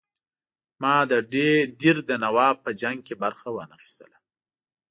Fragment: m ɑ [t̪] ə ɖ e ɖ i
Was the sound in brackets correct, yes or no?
no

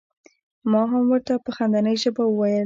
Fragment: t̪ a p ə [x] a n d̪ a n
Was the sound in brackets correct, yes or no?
yes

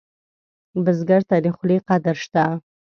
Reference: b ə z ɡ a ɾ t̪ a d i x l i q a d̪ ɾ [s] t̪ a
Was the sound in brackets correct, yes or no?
no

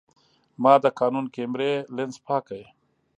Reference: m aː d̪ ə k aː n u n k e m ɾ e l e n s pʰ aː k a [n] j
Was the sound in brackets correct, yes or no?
no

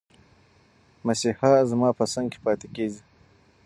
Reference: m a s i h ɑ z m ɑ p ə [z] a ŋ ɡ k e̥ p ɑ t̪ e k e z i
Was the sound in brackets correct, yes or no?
no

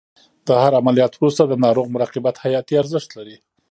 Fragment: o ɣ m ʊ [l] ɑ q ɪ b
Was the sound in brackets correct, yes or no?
no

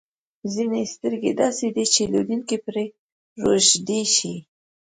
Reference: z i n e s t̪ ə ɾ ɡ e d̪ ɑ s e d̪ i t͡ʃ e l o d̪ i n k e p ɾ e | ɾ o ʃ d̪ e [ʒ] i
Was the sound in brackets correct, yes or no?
no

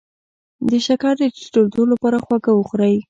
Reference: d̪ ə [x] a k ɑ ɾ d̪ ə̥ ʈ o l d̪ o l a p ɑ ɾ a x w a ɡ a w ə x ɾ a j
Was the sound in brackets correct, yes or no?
no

